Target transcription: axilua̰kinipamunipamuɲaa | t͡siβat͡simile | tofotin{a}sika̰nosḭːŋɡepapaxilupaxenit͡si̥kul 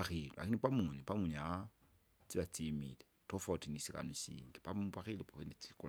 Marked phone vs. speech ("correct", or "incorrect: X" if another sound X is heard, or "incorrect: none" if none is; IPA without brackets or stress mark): incorrect: i